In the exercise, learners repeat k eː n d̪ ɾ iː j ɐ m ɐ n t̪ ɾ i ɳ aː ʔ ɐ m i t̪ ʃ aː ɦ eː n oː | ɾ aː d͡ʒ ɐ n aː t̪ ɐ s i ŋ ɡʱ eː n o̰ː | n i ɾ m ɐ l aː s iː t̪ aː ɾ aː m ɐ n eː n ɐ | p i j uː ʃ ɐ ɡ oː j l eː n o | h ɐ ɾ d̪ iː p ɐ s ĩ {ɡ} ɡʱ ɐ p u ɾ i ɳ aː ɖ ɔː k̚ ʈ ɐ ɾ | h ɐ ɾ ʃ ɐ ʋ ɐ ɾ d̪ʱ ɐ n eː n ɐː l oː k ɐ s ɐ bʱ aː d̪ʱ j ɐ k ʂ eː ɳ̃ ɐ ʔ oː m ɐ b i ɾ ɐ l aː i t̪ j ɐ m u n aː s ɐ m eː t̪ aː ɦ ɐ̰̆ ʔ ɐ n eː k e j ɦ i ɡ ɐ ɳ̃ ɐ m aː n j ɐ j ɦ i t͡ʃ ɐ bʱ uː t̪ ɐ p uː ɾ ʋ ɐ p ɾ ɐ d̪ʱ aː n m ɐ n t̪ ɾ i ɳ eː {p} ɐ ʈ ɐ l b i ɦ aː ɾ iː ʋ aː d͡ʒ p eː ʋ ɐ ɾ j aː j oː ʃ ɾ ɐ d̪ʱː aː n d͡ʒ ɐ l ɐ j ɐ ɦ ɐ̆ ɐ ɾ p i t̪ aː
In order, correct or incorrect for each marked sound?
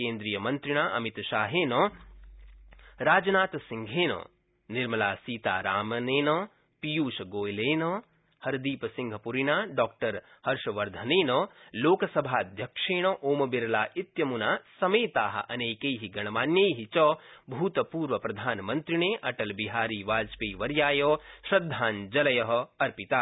incorrect: ŋ, incorrect: ʔ

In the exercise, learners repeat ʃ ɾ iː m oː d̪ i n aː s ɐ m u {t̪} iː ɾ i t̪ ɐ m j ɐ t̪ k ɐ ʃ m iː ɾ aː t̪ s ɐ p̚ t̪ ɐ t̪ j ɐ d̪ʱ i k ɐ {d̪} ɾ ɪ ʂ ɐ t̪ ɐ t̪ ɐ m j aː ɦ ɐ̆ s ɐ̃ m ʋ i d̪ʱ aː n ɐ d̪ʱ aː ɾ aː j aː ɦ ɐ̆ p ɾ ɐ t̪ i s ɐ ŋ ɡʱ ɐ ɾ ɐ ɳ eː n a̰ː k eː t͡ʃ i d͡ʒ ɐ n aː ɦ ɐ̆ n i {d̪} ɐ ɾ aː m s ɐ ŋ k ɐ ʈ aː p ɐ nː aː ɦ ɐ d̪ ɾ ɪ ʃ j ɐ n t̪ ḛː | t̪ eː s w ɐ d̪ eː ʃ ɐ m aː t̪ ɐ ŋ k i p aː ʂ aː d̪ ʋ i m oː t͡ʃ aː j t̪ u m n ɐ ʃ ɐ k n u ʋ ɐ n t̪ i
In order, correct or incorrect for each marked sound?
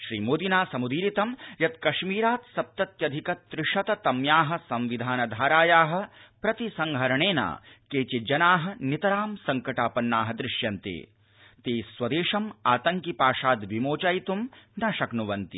incorrect: d̪, incorrect: t̪, incorrect: t̪

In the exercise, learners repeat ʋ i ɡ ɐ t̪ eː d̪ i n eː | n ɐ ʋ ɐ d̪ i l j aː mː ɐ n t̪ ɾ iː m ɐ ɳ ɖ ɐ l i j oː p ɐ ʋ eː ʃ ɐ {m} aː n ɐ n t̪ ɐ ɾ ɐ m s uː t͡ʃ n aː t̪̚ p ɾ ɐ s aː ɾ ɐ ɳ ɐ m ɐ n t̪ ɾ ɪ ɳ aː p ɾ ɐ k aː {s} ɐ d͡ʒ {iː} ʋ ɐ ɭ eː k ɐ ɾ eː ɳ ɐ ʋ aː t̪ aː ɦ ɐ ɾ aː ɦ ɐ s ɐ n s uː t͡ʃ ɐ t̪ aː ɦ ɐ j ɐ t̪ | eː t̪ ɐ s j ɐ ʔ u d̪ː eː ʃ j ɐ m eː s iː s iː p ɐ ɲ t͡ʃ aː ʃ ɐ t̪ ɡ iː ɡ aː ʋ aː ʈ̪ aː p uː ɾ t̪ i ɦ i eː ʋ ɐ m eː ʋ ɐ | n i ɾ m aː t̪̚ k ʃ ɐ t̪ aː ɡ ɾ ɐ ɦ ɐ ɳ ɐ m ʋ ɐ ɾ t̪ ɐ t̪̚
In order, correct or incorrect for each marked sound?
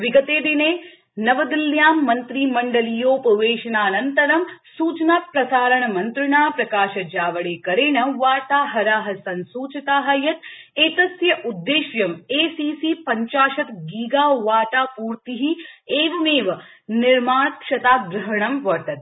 incorrect: n, incorrect: ʃ, incorrect: aː

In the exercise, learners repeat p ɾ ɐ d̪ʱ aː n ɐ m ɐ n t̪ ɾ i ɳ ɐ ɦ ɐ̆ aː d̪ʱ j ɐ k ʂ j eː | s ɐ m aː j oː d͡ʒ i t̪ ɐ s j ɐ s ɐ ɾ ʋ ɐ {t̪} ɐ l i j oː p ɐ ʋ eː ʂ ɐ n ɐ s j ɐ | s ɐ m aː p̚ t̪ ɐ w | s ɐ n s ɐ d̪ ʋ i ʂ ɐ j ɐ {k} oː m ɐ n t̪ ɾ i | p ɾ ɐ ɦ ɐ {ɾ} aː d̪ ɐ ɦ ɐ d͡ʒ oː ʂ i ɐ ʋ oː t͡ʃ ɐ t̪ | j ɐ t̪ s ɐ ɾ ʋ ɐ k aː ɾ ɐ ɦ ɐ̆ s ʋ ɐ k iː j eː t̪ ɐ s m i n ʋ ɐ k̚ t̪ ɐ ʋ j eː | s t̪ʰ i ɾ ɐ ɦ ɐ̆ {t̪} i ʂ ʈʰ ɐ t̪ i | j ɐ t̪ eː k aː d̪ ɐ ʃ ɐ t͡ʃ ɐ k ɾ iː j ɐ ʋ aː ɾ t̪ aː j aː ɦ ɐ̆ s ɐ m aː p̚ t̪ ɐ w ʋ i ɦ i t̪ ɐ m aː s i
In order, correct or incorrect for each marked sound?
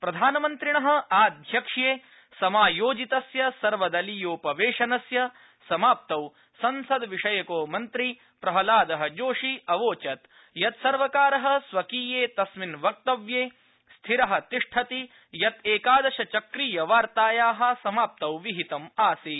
incorrect: d̪, correct, incorrect: l, correct

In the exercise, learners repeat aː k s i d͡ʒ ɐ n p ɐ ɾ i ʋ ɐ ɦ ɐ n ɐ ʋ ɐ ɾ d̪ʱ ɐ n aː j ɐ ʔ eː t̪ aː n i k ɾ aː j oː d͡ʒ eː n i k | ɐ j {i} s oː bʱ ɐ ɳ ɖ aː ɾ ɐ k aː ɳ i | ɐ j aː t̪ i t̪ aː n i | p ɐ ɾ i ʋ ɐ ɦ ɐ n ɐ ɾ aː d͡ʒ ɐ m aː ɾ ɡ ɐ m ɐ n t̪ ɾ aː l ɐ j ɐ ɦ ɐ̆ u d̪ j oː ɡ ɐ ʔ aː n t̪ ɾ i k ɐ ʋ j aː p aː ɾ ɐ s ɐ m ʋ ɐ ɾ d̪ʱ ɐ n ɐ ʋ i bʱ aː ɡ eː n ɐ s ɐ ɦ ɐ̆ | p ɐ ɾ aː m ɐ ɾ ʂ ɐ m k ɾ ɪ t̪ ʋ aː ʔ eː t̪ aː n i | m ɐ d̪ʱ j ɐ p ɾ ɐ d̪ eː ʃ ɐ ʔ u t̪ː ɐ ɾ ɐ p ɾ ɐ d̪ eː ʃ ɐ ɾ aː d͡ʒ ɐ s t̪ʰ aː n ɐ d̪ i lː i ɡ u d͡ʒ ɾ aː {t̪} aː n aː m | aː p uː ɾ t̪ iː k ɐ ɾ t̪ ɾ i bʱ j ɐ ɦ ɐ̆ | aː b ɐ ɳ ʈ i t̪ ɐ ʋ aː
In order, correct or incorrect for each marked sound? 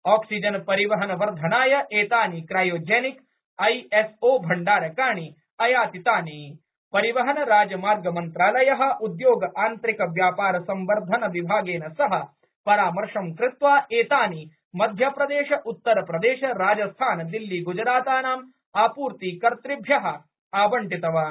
incorrect: e, correct

